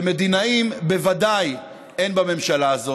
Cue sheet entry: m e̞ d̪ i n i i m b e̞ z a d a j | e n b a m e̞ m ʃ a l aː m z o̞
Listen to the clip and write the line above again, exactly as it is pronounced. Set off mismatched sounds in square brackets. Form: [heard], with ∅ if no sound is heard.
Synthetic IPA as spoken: m e̞ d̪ i n [a] i m b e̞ [v] a d a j | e n b a m e̞ m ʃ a l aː [∅] z o̞